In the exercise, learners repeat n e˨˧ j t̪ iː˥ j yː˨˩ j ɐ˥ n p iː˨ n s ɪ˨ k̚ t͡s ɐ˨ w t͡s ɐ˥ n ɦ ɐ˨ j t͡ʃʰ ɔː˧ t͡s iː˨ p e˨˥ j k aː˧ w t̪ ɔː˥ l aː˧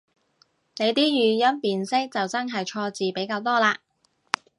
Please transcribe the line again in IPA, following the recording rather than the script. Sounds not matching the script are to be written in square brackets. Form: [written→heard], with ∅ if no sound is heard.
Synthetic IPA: n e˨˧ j t̪ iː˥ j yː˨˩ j ɐ˥ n p iː˨ n s [ɪ˨→ɪ˥] k̚ t͡s ɐ˨ w t͡s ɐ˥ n ɦ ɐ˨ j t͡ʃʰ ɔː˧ t͡s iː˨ p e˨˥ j k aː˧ w t̪ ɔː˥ l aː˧